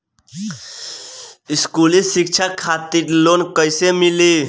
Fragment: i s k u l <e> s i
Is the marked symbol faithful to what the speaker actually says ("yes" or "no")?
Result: no